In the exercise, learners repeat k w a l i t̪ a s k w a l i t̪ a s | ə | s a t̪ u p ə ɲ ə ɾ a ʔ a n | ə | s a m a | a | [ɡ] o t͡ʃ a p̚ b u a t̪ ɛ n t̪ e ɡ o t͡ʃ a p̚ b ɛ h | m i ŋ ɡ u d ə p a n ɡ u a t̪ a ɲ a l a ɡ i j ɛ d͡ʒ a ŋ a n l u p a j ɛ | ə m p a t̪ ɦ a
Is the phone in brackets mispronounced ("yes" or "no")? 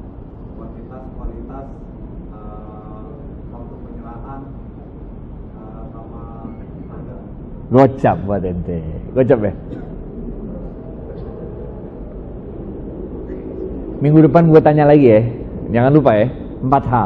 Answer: no